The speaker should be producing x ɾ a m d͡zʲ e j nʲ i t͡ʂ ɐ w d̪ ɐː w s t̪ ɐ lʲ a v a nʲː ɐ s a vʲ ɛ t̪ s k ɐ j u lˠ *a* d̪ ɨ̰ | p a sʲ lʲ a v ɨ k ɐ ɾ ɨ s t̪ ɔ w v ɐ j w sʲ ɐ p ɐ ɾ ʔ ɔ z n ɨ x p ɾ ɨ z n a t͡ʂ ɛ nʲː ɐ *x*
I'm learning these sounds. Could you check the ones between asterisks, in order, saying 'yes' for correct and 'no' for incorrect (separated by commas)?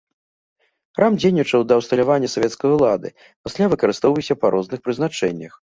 yes, yes